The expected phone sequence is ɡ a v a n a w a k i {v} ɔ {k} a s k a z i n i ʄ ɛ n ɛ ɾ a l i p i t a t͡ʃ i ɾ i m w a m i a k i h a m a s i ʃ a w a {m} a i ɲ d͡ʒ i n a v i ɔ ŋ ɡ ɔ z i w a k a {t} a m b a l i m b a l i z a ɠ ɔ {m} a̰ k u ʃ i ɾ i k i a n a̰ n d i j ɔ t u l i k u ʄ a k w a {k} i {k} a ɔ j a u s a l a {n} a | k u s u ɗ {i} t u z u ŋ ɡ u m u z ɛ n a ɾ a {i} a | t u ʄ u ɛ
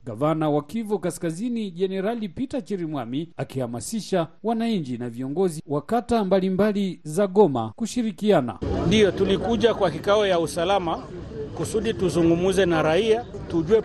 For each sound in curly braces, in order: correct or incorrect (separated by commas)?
correct, correct, incorrect, correct, correct, correct, correct, incorrect, correct, correct